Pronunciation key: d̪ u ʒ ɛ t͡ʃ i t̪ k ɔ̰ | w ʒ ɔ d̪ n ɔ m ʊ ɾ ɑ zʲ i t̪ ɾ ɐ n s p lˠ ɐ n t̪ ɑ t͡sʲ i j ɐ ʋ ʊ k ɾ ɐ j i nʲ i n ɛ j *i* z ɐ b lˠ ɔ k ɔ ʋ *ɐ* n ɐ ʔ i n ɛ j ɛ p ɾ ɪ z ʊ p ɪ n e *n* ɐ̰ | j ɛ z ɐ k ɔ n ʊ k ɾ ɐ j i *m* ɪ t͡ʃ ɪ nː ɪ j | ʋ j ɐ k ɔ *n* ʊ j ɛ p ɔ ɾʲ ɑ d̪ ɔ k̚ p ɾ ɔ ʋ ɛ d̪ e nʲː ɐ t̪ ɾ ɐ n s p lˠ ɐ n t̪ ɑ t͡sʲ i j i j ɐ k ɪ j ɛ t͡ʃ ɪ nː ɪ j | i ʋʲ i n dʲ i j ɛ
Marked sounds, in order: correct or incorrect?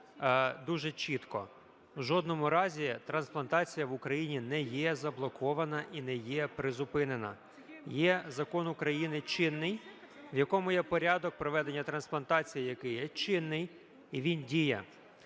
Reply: incorrect: ɛ, correct, correct, incorrect: n, incorrect: m

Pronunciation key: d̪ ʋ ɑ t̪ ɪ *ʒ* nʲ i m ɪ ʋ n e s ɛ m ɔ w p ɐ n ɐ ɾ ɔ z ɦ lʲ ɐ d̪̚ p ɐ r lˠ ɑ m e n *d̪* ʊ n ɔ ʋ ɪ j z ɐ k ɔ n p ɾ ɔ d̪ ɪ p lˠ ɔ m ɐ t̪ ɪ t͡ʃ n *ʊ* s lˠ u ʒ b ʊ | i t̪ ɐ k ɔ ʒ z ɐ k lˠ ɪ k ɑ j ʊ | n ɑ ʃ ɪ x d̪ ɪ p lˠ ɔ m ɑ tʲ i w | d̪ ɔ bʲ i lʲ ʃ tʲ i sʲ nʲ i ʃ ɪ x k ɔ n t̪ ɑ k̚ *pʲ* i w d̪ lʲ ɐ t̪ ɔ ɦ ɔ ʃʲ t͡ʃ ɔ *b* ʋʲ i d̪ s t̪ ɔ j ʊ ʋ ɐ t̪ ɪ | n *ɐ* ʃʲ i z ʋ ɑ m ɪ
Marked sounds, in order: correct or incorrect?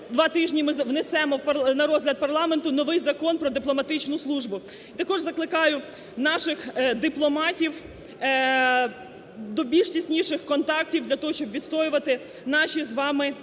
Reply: correct, incorrect: t̪, correct, incorrect: tʲ, correct, incorrect: ɑ

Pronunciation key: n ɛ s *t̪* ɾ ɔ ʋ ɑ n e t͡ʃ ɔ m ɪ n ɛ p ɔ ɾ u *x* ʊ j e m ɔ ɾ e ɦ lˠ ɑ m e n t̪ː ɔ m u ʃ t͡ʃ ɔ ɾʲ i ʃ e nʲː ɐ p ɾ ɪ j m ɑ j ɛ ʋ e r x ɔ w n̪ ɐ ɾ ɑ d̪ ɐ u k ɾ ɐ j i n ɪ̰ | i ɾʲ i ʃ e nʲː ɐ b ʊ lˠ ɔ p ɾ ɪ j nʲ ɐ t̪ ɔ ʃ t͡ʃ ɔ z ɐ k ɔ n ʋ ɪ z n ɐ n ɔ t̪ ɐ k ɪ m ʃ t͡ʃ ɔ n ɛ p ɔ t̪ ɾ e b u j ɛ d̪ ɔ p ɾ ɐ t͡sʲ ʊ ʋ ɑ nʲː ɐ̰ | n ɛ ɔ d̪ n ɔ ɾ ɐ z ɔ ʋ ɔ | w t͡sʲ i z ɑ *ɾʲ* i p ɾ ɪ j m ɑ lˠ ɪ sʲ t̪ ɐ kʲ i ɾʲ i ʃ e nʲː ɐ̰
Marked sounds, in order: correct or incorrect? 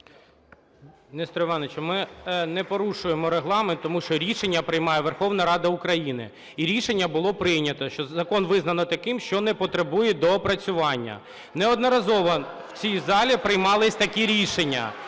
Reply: correct, incorrect: ʃ, incorrect: lʲ

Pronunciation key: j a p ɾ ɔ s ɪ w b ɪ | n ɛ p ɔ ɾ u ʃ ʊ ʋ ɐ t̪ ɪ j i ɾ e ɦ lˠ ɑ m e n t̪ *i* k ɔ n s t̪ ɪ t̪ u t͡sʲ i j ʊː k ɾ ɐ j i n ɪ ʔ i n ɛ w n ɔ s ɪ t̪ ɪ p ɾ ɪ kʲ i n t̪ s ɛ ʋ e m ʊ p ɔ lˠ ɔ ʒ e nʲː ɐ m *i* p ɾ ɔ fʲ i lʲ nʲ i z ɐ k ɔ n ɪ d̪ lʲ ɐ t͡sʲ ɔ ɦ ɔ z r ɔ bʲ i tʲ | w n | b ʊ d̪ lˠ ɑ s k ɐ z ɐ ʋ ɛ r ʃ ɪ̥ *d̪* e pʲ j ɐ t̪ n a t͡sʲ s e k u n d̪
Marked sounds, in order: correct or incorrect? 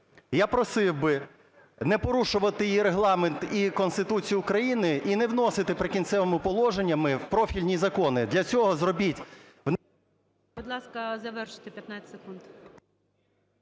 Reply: correct, incorrect: ɪ, incorrect: t̪

